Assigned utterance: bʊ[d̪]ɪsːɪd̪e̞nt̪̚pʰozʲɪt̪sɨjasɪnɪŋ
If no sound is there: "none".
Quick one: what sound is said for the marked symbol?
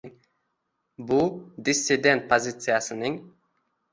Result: d̪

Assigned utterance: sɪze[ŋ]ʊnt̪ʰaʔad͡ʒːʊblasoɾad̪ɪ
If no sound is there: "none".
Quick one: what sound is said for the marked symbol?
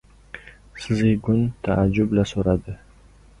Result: ɡ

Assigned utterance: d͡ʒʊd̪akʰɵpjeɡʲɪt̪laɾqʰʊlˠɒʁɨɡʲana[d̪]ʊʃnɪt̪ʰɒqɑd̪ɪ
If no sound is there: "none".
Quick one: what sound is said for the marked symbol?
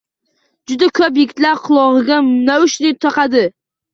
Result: none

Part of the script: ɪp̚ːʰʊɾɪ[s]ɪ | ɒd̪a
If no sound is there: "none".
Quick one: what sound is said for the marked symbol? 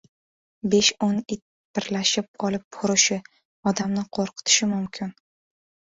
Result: ʃ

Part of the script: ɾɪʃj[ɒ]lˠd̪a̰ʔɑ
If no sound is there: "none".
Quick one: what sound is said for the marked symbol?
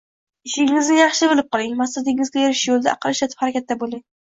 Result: o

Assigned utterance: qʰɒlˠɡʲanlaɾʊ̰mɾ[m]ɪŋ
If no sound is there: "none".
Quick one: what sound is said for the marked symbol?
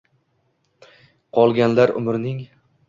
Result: n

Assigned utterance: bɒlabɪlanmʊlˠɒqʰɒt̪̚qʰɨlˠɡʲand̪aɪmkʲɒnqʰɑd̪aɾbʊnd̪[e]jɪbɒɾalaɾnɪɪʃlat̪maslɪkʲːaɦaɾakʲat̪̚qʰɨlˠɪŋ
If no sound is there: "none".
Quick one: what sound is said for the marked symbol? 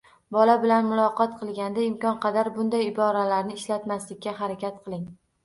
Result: a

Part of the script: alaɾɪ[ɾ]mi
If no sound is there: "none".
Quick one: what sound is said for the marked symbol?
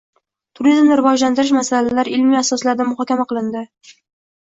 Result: l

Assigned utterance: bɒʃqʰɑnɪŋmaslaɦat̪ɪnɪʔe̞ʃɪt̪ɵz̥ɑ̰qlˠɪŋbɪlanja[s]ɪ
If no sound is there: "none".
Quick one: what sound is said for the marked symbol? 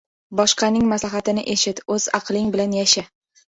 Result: ʃ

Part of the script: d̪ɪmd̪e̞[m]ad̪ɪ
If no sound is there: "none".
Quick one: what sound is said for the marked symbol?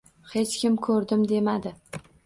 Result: m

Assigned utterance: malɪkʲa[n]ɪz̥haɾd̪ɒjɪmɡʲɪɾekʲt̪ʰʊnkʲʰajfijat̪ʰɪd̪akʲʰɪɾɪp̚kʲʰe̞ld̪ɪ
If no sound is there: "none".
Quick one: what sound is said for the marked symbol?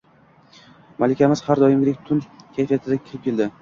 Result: m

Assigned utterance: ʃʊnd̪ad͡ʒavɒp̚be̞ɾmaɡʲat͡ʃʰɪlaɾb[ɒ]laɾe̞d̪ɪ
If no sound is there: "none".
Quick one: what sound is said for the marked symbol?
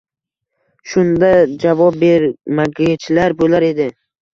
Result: o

